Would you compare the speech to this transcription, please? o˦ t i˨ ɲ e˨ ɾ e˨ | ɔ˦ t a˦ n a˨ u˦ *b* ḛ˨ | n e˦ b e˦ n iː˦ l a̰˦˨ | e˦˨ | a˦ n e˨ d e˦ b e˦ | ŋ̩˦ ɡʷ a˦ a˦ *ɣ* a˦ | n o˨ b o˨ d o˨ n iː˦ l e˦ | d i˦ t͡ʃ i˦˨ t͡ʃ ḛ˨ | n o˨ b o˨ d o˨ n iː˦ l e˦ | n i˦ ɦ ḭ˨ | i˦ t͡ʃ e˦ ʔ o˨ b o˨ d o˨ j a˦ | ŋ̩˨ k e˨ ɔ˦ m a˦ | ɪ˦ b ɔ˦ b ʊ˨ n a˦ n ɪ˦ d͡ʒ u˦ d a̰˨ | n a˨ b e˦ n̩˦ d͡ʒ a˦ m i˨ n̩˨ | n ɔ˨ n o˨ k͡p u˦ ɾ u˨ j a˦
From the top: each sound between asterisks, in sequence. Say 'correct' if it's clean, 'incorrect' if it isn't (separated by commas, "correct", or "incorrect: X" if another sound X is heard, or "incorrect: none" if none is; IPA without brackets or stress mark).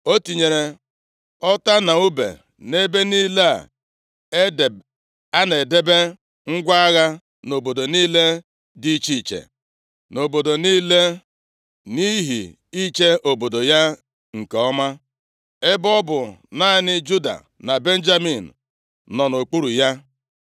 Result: correct, correct